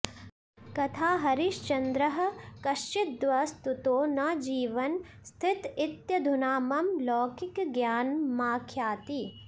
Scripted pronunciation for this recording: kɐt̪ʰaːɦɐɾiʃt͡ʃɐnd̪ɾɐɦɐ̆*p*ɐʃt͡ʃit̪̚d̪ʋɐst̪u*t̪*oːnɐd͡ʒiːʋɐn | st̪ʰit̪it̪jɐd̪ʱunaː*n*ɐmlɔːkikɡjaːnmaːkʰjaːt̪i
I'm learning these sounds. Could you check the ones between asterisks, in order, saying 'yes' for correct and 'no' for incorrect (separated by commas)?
no, yes, no